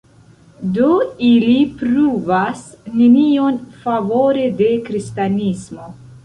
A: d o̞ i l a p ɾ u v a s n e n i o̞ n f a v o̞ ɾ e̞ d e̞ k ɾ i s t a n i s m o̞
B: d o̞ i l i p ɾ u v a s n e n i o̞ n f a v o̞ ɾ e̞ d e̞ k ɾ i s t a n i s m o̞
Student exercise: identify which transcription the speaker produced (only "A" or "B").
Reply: B